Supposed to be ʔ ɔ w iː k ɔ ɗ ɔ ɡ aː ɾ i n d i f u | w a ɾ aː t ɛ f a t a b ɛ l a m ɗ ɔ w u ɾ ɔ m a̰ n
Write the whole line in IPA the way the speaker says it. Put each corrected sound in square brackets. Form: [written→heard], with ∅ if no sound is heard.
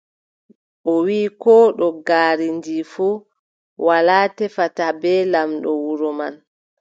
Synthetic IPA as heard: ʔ ɔ w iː k ɔ ɗ ɔ ɡ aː ɾ i n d i f u | w a [ɾ→l] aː t ɛ f a t a b ɛ l a m ɗ ɔ w u ɾ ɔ m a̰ n